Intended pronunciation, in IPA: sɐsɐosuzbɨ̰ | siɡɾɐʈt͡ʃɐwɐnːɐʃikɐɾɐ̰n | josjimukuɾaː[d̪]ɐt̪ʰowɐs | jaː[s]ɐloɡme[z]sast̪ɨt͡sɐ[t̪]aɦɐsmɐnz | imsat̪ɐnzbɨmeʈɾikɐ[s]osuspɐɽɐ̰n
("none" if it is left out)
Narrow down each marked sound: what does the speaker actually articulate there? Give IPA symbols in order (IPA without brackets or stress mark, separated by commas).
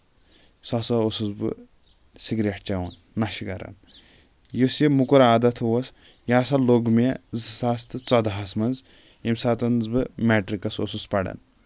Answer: d̪, s, z, d̪, s